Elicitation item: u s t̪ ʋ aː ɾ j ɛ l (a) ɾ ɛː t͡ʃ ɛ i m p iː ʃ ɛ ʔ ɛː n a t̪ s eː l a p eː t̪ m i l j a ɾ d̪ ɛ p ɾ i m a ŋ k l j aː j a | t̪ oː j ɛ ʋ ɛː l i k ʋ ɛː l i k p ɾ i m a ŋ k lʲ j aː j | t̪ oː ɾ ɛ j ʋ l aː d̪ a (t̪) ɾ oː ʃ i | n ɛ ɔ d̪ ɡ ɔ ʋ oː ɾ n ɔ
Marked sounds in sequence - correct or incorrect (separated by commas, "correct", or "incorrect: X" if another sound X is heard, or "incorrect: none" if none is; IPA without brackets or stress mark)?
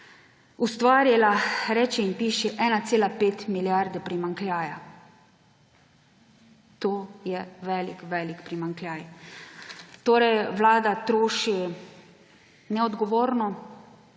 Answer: correct, correct